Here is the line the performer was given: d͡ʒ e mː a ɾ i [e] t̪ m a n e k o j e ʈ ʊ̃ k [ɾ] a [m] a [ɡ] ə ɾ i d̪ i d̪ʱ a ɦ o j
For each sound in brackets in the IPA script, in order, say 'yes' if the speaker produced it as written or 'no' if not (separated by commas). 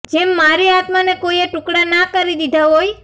no, no, no, no